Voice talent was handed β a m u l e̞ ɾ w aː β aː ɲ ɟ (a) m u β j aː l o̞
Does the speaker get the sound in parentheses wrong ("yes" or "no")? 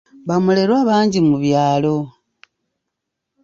yes